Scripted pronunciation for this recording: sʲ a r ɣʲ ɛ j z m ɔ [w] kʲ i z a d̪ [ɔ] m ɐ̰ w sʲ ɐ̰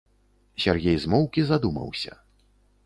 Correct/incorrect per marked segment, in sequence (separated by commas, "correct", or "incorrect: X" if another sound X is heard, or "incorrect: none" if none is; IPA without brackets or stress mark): correct, incorrect: u